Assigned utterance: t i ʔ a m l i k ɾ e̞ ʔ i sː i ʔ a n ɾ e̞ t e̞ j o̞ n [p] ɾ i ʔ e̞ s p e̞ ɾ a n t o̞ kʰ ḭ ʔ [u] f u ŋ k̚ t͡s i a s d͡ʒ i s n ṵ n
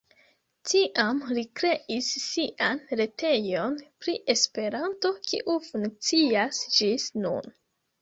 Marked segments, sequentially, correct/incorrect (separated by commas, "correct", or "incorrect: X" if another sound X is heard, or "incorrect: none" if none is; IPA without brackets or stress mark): correct, correct